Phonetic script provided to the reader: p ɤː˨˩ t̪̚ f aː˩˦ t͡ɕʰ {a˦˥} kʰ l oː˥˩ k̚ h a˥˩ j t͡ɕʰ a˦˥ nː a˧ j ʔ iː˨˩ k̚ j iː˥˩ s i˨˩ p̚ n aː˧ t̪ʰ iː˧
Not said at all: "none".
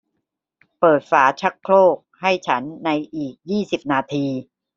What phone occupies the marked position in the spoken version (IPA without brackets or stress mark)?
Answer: a˦˥